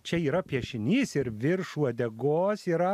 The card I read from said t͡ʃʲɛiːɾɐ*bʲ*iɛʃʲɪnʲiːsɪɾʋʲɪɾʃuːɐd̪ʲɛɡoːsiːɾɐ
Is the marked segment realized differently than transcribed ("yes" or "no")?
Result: yes